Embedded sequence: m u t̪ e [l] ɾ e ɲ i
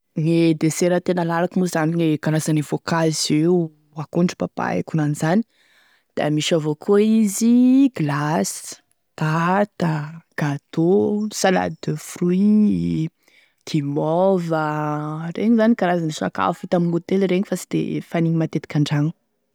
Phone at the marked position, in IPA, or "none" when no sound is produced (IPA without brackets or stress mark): l